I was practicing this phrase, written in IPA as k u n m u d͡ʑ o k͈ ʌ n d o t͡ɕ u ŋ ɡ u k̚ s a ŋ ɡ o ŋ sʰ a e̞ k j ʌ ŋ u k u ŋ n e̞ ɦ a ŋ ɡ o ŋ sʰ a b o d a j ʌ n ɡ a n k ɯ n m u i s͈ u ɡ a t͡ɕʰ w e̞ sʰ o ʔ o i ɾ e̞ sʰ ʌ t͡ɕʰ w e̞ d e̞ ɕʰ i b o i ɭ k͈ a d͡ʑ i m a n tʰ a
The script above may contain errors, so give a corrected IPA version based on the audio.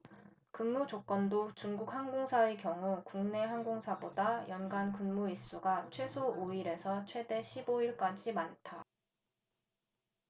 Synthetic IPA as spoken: k ɯ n m u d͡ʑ o k͈ ʌ n d o t͡ɕ u ŋ ɡ u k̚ h a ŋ ɡ o ŋ sʰ a e̞ k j ʌ ŋ u k u ŋ n e̞ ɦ a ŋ ɡ o ŋ sʰ a b o d a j ʌ n ɡ a n k ɯ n m u i s͈ u ɡ a t͡ɕʰ w e̞ sʰ o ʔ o i ɾ e̞ sʰ ʌ t͡ɕʰ w e̞ d e̞ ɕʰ i b o i ɭ k͈ a d͡ʑ i m a n tʰ a

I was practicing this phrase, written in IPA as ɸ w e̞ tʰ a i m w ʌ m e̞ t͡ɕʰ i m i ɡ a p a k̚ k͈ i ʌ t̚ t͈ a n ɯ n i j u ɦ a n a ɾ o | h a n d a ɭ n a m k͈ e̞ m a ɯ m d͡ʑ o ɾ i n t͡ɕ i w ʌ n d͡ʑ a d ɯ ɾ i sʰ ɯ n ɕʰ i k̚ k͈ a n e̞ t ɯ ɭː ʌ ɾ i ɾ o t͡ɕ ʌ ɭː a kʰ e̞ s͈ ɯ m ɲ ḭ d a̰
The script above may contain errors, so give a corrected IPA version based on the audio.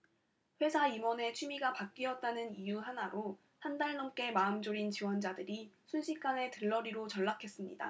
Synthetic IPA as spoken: ɸ w e̞ sʰ a i m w ʌ n e̞ t͡ɕʰ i m i ɡ a p a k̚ k͈ i ʌ t̚ t͈ a n ɯ n i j u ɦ a n a ɾ o | h a n d a ɭ n ʌ m k͈ e̞ m a ɯ m d͡ʑ o ɾ i n t͡ɕ i w ʌ n d͡ʑ a d ɯ ɾ i sʰ u n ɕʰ i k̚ k͈ a n e̞ t ɯ ɭː ʌ ɾ i ɾ o t͡ɕ ʌ ɭː a kʰ e̞ s͈ ɯ m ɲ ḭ d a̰

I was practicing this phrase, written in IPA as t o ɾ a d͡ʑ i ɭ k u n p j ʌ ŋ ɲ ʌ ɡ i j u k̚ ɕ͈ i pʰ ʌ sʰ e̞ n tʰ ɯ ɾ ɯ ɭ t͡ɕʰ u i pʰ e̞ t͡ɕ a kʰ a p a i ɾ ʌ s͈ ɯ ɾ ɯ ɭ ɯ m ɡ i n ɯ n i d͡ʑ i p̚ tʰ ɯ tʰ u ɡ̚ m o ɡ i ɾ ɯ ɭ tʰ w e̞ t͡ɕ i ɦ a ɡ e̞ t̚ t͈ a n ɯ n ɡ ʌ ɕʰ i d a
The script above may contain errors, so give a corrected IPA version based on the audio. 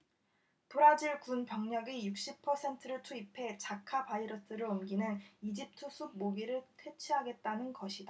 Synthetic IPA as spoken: t o ɾ a d͡ʑ i ɭ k u n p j ʌ ŋ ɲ ʌ ɡ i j u k̚ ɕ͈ i pʰ ʌ sʰ e̞ n tʰ ɯ ɾ ɯ ɭ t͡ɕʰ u i pʰ e̞ t͡ɕ a kʰ a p a i ɾ ʌ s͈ ɯ ɾ ɯ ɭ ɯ m ɡ i n ɯ n i d͡ʑ i p̚ tʰ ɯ sʰ u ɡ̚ m o ɡ i ɾ ɯ ɭ tʰ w e̞ t͡ɕʰ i ɦ a ɡ e̞ t̚ t͈ a n ɯ n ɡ ʌ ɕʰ i d a

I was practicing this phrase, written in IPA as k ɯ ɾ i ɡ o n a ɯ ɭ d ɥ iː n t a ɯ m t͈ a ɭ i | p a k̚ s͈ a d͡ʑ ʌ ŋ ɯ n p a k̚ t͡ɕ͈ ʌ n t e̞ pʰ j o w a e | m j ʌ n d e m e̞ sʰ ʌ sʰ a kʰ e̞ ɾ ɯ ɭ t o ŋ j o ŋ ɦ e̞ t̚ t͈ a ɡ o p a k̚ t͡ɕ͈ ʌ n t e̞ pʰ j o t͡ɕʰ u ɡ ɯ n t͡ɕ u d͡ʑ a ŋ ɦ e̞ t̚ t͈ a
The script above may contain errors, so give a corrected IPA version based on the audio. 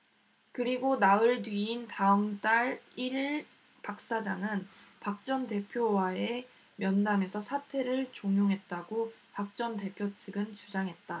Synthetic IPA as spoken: k ɯ ɾ i ɡ o n a ɯ ɭ d ɥ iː n t a ɯ m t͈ a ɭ i | p a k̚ s͈ a d͡ʑ a ŋ ɯ n p a k̚ t͡ɕ͈ ʌ n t e̞ pʰ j o w a e | m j ʌ n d a m e̞ sʰ ʌ sʰ a tʰ e̞ ɾ ɯ ɭ t͡ɕ o ŋ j o ŋ ɦ e̞ t̚ t͈ a ɡ o p a k̚ t͡ɕ͈ ʌ n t e̞ pʰ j o t͡ɕʰ ɯ ɡ ɯ n t͡ɕ u d͡ʑ a ŋ ɦ e̞ t̚ t͈ a

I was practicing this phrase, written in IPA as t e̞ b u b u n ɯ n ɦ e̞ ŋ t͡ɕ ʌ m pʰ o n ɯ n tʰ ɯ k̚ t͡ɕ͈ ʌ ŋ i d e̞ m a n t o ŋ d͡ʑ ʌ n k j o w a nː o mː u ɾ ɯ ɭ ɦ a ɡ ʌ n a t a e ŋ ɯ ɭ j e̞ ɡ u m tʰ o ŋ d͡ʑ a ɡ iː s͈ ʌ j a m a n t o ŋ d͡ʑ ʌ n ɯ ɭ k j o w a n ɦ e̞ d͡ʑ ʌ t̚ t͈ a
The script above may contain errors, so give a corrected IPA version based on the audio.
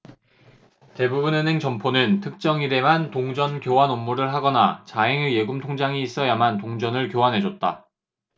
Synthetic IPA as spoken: t e̞ b u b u n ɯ n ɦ e̞ ŋ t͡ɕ ʌ m pʰ o n ɯ n tʰ ɯ k̚ t͡ɕ͈ ʌ ŋ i d e̞ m a n t o ŋ d͡ʑ ʌ n k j o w a n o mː u ɾ ɯ ɭ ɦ a ɡ ʌ n a t͡ɕ a e ŋ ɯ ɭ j e̞ ɡ u m tʰ o ŋ d͡ʑ a ŋ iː s͈ ʌ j a m a n t o ŋ d͡ʑ ʌ n ɯ ɭ k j o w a n ɦ e̞ d͡ʑ ʌ t̚ t͈ a

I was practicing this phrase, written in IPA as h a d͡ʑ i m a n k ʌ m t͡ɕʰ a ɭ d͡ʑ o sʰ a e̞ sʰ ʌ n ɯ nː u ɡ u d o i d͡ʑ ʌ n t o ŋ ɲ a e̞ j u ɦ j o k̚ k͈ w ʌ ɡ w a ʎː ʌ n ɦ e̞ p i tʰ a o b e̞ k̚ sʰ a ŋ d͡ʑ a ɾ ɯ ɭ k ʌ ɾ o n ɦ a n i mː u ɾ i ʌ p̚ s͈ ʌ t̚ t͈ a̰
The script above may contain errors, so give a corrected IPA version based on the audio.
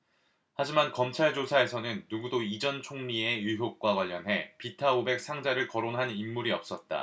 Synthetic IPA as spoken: h a d͡ʑ i m a n k ʌ m t͡ɕʰ a ɭ d͡ʑ o sʰ a e̞ sʰ ʌ n ɯ nː u ɡ u d o i d͡ʑ ʌ n t͡ɕʰ o ŋ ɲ i e̞ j u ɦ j o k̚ k͈ w a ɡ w a ʎː ʌ n ɦ e̞ p i tʰ a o b e̞ k̚ sʰ a ŋ d͡ʑ a ɾ ɯ ɭ k ʌ ɾ o n ɦ a n i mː u ɾ i ʌ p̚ s͈ ʌ t̚ t͈ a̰

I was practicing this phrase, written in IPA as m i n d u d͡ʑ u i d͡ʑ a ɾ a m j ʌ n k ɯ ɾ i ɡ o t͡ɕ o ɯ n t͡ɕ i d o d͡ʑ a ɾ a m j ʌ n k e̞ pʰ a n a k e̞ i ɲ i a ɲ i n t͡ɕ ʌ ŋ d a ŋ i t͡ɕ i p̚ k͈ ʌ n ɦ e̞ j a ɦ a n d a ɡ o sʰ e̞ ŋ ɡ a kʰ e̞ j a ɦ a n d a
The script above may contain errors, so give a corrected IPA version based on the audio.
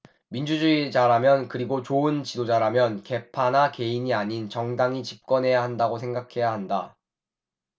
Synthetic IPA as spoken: m i n d͡ʑ u d͡ʑ u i d͡ʑ a ɾ a m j ʌ n k ɯ ɾ i ɡ o t͡ɕ o ɯ n t͡ɕ i d o d͡ʑ a ɾ a m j ʌ n k e̞ pʰ a n a k e̞ i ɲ i a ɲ i n t͡ɕ ʌ ŋ d a ŋ i t͡ɕ i p̚ k͈ ʌ n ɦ e̞ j a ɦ a n d a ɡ o sʰ e̞ ŋ ɡ a kʰ e̞ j a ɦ a n d a

